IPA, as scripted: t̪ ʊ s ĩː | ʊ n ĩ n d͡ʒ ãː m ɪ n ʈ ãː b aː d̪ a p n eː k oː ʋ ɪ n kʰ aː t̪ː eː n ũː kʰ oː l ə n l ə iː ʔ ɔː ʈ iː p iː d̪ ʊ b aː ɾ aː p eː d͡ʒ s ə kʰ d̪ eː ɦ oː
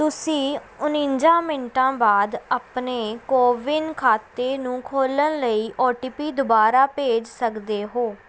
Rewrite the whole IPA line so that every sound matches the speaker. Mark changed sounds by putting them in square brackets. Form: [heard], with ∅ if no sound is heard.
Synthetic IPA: t̪ ʊ s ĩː | ʊ n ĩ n d͡ʒ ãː m ɪ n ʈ ãː b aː d̪ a p n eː k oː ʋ ɪ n kʰ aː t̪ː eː n ũː kʰ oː l ə n l ə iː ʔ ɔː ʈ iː p iː d̪ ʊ b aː ɾ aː p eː d͡ʒ s ə [k] d̪ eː ɦ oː